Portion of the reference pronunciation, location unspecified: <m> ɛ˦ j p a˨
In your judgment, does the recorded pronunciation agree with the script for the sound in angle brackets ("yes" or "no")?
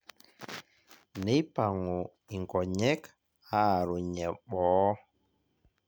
no